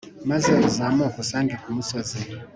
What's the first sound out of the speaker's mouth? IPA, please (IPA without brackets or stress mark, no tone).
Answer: m